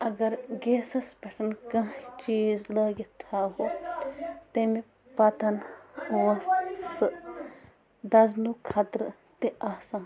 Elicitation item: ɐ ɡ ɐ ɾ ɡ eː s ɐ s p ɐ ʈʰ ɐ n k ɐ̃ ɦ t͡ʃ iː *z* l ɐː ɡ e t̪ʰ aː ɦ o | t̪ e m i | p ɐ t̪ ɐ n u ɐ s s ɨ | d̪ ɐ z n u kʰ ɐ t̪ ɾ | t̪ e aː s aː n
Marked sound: correct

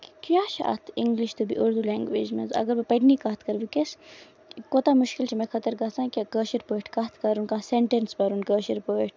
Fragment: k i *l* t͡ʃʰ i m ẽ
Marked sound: correct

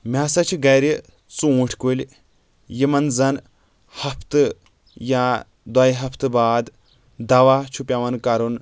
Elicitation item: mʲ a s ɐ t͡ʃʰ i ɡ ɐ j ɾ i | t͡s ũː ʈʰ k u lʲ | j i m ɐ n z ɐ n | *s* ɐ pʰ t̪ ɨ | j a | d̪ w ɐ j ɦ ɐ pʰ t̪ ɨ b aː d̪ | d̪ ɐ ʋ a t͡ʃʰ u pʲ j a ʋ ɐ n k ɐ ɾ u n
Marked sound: incorrect: h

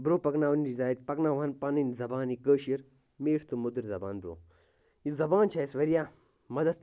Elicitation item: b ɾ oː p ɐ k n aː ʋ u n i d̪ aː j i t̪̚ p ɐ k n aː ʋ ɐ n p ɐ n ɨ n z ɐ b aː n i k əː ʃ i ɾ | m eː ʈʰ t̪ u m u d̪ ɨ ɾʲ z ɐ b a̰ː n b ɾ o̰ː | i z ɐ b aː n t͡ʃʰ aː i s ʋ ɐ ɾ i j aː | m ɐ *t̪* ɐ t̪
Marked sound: incorrect: d̪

